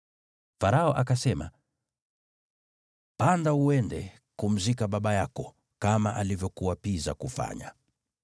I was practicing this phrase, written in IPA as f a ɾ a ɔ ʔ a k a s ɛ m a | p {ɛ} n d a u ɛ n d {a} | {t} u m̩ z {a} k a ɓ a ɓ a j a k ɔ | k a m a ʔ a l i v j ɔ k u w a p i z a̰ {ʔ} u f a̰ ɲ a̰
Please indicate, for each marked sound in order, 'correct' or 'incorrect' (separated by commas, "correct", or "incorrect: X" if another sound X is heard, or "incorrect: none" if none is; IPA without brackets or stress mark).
incorrect: a, incorrect: ɛ, incorrect: k, incorrect: i, incorrect: k